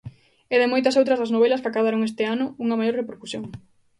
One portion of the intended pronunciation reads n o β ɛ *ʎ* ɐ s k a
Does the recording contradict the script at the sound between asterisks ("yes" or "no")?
yes